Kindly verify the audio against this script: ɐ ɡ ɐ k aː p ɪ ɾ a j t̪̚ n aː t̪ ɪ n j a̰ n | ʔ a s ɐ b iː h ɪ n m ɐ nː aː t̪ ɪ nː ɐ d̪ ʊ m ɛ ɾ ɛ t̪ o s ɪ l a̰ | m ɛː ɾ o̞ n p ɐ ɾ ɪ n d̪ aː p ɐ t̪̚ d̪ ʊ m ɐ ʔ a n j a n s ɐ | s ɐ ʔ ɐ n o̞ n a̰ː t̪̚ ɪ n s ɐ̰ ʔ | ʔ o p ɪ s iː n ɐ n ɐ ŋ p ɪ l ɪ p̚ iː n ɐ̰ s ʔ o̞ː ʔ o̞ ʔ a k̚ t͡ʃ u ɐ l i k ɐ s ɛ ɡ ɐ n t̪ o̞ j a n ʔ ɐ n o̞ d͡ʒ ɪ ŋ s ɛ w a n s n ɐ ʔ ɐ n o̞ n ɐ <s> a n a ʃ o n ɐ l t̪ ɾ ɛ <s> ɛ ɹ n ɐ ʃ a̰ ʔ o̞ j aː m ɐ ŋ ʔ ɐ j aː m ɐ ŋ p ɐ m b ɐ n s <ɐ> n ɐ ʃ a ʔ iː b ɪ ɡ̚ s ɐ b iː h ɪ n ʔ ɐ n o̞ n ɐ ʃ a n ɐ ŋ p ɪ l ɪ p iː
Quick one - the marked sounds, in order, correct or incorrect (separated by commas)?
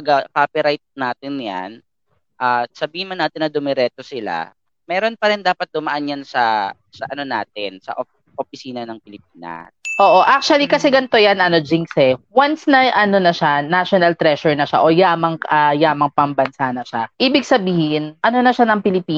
incorrect, incorrect, incorrect